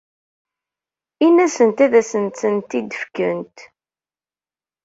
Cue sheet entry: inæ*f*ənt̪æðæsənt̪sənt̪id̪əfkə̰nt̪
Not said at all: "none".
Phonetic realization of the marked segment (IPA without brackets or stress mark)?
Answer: s